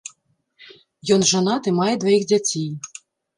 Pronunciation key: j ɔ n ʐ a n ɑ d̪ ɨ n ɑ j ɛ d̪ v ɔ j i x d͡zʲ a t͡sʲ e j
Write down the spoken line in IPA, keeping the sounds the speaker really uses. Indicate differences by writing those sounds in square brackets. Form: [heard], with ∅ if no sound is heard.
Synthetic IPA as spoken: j ɔ n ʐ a n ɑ [t̪] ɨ [m] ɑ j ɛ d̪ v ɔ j i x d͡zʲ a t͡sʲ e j